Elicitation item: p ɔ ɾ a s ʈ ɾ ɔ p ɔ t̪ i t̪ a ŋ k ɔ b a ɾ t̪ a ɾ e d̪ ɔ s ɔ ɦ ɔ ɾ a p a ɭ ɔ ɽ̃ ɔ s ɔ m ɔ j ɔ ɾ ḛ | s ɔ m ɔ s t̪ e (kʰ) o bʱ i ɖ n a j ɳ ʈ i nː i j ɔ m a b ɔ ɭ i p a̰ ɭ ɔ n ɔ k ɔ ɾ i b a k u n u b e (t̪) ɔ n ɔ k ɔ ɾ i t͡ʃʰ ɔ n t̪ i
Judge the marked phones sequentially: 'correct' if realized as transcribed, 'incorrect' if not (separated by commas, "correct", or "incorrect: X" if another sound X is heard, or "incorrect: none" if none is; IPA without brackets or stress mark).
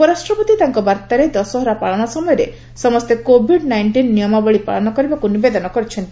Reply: incorrect: k, incorrect: d̪